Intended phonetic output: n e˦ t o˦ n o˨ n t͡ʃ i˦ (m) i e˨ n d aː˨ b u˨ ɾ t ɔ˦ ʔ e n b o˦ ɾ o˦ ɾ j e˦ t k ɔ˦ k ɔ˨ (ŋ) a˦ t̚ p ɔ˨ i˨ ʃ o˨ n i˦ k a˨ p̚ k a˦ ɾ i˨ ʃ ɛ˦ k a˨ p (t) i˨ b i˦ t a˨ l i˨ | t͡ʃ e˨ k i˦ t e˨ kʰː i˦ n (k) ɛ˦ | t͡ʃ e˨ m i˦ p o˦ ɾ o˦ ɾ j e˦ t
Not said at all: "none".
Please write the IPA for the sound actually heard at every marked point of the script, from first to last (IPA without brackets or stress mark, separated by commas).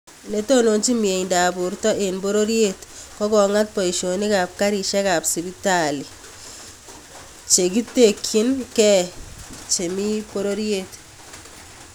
m, ŋ, s, k